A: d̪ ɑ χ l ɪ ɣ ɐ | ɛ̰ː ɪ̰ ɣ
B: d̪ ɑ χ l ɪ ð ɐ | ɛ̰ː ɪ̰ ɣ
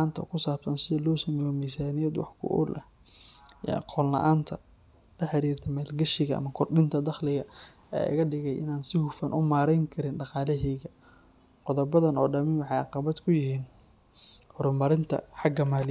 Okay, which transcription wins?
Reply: A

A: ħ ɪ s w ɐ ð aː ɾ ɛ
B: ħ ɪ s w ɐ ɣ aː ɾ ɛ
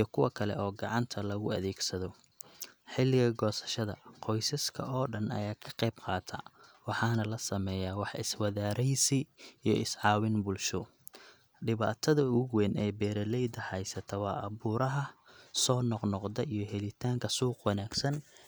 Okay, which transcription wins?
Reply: A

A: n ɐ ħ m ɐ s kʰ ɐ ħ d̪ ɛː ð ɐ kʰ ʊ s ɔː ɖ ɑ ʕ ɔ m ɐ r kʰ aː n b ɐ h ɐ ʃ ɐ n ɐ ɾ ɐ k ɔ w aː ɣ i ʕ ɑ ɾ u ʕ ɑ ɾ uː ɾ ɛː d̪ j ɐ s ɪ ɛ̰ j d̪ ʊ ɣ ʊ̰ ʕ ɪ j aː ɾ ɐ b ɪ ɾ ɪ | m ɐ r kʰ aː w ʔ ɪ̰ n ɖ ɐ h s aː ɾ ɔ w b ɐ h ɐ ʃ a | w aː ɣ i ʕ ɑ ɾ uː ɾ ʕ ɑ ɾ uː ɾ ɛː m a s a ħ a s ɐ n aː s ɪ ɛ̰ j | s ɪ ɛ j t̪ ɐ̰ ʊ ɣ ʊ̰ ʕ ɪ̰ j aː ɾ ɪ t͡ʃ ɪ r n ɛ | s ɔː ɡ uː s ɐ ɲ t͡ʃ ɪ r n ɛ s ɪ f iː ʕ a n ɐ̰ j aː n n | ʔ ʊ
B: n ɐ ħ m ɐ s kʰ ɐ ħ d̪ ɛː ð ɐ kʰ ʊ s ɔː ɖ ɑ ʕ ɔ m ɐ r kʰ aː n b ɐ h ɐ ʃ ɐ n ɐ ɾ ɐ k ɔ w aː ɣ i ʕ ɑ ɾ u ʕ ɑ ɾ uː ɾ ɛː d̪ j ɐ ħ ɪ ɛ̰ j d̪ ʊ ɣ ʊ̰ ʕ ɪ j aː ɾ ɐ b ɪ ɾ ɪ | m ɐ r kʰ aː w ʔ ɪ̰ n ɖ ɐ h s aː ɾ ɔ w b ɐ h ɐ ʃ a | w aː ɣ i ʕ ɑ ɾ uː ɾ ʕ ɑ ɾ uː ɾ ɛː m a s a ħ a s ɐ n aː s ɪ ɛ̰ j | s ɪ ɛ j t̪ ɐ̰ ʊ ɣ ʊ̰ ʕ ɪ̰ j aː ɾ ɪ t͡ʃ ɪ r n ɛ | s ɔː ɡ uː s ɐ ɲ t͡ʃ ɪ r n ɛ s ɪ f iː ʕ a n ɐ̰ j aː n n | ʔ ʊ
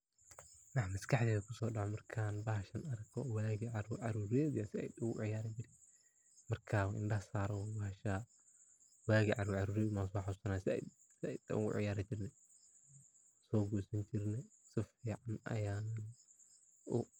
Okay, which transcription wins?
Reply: A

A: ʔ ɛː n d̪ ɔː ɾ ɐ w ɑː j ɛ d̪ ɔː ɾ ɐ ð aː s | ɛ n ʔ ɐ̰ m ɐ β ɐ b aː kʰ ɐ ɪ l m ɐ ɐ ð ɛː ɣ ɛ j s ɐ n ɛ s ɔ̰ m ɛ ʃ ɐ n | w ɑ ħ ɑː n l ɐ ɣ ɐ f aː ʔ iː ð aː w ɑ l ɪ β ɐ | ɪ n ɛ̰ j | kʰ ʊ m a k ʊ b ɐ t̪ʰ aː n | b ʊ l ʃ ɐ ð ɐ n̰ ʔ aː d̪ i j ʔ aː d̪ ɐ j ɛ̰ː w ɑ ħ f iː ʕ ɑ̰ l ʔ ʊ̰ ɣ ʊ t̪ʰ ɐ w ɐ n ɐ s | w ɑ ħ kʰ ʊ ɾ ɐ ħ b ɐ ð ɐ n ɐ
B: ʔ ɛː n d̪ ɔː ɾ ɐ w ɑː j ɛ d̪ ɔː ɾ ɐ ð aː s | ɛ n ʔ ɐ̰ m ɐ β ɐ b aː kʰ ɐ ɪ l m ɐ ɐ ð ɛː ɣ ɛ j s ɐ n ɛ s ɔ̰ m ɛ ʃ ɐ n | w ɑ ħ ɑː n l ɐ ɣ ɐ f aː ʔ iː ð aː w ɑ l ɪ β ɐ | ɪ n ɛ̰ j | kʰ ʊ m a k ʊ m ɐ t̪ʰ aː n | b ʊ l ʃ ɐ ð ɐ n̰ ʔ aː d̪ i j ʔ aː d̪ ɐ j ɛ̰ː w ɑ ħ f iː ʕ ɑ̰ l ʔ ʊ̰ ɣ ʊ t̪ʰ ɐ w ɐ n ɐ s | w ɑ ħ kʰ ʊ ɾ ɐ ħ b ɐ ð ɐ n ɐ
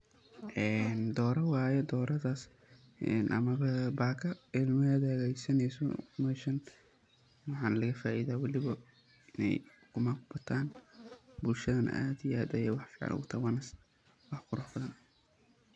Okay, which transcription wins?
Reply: A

